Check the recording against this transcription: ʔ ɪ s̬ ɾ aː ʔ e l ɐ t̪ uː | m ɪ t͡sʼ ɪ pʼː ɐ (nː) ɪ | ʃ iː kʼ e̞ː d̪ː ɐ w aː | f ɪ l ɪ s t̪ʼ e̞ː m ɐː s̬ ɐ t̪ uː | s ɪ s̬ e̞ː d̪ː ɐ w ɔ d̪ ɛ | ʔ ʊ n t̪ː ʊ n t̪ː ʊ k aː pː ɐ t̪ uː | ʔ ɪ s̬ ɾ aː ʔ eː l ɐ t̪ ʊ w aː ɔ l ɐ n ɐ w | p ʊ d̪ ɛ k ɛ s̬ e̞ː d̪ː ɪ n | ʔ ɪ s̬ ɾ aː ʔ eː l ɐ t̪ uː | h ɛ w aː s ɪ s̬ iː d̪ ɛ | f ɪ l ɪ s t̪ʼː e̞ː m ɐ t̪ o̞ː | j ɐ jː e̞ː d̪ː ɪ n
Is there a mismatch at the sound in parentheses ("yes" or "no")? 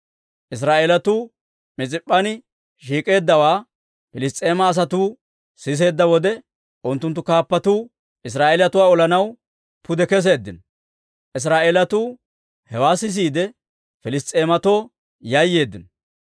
yes